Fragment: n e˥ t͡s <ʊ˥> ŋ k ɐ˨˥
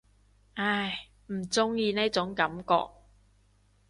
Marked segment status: incorrect: ʊ˨˥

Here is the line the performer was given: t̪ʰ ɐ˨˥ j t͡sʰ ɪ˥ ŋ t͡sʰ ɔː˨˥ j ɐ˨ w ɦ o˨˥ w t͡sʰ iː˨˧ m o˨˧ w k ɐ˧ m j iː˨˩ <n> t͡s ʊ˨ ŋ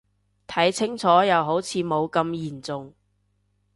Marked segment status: correct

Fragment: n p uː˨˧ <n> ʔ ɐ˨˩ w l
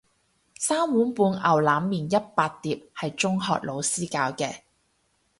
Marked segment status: correct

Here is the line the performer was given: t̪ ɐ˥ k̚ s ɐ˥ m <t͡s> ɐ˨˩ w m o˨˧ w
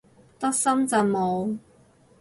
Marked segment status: correct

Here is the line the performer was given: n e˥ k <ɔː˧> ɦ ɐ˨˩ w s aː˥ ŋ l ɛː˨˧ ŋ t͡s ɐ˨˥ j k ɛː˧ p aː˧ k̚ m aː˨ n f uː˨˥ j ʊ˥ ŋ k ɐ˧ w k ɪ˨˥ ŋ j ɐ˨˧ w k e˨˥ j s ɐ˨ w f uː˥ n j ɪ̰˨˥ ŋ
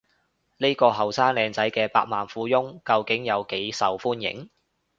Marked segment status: correct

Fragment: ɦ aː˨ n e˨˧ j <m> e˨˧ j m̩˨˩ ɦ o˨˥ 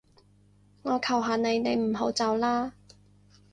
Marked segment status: incorrect: n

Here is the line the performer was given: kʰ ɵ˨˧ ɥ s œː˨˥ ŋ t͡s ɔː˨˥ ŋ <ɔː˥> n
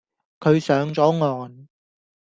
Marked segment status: incorrect: ɔː˨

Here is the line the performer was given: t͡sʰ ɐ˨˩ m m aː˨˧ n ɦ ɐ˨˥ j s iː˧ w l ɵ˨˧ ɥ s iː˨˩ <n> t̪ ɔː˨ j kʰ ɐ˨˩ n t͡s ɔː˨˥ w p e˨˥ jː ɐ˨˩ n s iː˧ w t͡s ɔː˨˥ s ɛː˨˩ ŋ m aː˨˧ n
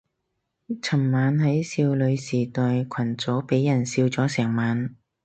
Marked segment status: incorrect: none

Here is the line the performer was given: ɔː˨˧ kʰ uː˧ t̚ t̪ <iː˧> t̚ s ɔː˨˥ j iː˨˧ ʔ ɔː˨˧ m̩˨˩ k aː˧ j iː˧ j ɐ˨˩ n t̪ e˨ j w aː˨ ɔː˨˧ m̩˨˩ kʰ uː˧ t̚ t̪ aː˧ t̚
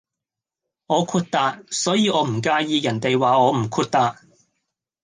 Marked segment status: incorrect: aː˧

